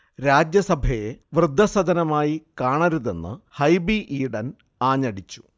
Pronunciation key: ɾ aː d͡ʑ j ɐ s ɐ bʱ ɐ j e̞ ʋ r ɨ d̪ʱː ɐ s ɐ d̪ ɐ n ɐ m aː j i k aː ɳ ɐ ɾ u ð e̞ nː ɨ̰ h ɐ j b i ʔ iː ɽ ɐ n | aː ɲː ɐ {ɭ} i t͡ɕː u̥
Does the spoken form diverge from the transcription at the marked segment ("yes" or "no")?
yes